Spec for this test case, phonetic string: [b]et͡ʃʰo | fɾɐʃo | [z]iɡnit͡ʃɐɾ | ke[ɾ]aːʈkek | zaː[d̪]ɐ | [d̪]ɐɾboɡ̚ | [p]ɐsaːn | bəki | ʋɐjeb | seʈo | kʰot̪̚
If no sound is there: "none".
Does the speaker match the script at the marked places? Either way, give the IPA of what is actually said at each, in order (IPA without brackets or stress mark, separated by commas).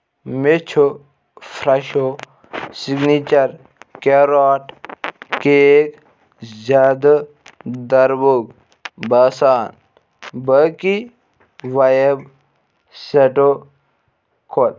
m, s, ɾ, d̪, d̪, b